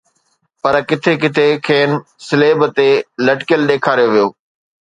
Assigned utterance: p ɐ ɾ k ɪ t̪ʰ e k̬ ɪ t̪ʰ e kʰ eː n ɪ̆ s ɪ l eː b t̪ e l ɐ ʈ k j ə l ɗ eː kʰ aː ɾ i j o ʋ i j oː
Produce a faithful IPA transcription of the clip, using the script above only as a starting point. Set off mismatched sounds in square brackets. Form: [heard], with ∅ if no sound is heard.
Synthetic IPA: p ɐ ɾ k ɪ t̪ʰ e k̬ ɪ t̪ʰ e kʰ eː n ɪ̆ s ɪ l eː b t̪ e l ɐ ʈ k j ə l ɗ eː kʰ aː ɾ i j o ʋ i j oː

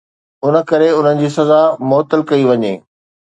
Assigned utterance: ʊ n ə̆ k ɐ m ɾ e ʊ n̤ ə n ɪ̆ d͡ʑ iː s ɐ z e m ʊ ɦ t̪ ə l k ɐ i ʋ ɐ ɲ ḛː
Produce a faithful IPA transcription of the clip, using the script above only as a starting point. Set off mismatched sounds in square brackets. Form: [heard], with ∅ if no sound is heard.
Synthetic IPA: ʊ n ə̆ k ɐ [∅] ɾ e ʊ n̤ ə n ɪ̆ d͡ʑ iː s ɐ z [a] m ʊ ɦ t̪ ə l k ɐ i ʋ ɐ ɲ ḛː

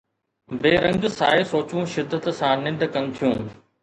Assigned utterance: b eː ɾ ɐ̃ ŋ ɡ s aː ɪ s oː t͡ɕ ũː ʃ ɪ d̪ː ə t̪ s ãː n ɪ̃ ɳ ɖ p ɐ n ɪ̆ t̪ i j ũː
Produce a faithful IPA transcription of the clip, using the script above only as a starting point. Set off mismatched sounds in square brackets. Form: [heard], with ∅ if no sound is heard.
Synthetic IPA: b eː ɾ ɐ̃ ŋ ɡ s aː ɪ s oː t͡ɕ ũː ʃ ɪ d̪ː ə t̪ s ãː n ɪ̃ ɳ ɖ [k] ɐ n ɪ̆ [t̪ʰ] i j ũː

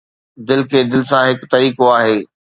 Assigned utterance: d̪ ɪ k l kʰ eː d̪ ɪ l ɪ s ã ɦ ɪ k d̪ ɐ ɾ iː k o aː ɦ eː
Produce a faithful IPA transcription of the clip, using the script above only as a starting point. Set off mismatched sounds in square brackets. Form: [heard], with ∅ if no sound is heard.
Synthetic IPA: d̪ ɪ [∅] l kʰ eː d̪ ɪ l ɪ s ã ɦ ɪ k [t̪] ɐ ɾ iː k o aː ɦ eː

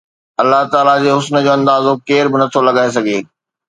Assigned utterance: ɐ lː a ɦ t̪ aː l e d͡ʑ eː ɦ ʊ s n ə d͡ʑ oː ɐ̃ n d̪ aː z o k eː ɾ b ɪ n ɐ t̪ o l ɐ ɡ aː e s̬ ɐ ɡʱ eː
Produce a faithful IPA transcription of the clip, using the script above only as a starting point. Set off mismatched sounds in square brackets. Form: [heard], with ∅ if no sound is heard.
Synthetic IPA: ɐ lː a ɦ t̪ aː l [a] d͡ʑ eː ɦ ʊ s n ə d͡ʑ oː ɐ̃ n d̪ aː z o k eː ɾ b ɪ n ɐ [t̪ʰ] o l ɐ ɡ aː e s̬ ɐ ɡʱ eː

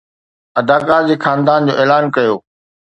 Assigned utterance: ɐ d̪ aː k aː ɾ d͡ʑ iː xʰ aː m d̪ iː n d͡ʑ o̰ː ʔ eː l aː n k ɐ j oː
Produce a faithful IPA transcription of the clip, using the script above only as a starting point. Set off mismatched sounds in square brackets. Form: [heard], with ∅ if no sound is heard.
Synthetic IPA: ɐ d̪ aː k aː ɾ d͡ʑ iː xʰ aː [n] d̪ [aː] n d͡ʑ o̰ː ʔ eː l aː n k ɐ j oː

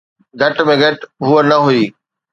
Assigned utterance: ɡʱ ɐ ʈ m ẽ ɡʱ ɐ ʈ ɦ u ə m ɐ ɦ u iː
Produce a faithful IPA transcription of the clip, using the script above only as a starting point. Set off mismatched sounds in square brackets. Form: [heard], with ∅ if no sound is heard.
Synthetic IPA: ɡʱ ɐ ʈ m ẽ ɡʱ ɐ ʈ ɦ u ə [n] ɐ ɦ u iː

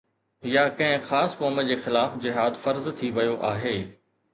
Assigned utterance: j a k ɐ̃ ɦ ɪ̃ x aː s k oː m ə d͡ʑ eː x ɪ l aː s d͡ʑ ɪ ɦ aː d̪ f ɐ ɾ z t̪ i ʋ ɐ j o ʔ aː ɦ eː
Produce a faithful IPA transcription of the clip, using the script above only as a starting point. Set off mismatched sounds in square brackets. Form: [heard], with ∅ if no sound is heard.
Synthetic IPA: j a k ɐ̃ ɦ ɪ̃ x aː s k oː m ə d͡ʑ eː x ɪ l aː [f] d͡ʑ ɪ ɦ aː d̪ f ɐ ɾ z [t̪ʰ] i ʋ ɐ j o ʔ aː ɦ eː

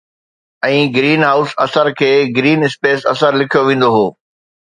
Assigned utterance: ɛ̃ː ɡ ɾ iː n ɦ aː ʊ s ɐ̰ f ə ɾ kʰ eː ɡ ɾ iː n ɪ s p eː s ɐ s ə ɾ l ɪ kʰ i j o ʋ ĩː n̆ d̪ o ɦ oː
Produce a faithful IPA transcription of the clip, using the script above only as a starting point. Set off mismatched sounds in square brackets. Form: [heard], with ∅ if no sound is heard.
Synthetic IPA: ɛ̃ː ɡ ɾ iː n ɦ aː ʊ s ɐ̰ [s] ə ɾ kʰ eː ɡ ɾ iː n ɪ s p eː s ɐ s ə ɾ l ɪ kʰ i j o ʋ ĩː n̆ d̪ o ɦ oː

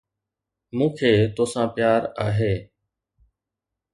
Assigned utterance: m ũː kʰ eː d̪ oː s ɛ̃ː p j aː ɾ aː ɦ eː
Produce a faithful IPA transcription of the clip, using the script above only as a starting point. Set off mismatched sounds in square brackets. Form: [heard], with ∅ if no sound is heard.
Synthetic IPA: m ũː kʰ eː [t̪] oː s [ãː] p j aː ɾ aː ɦ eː

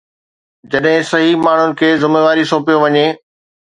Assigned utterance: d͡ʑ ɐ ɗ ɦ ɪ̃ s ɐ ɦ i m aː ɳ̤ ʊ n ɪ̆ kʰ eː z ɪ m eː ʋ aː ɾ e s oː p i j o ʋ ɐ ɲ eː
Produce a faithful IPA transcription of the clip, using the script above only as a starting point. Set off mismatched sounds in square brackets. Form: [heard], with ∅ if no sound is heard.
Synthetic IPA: d͡ʑ ɐ ɗ ɦ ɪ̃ s ɐ ɦ i m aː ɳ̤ ʊ n ɪ̆ kʰ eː z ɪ m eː ʋ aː ɾ [i] s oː p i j o ʋ ɐ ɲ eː

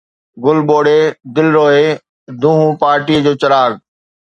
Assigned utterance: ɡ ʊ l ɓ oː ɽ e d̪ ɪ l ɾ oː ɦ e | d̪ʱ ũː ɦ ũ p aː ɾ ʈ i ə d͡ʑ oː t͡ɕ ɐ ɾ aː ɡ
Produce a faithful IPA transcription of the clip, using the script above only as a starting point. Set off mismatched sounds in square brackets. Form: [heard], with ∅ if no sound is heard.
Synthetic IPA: ɡ ʊ l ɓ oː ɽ e d̪ ɪ l ɾ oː ɦ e | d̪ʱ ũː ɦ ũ p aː ɾ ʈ i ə d͡ʑ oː t͡ɕ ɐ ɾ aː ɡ

